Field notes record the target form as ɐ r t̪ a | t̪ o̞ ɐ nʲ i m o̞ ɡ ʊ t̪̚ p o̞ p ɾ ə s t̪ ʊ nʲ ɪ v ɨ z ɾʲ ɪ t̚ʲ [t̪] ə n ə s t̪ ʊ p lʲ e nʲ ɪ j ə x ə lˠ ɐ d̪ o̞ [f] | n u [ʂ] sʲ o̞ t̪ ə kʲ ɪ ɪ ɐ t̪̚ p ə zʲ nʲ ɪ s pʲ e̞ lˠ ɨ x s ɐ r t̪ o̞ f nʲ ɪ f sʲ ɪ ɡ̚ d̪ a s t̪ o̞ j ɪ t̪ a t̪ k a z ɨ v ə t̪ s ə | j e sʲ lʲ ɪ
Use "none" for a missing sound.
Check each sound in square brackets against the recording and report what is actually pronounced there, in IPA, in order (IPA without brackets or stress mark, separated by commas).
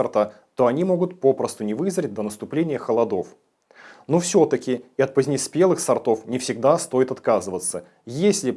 d̪, f, f